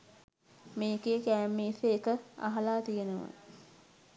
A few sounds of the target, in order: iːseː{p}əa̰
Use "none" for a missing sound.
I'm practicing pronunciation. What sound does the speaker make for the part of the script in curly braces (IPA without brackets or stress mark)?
k